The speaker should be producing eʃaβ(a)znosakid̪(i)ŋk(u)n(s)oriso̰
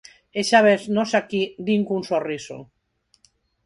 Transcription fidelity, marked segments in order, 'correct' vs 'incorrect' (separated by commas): incorrect, correct, correct, correct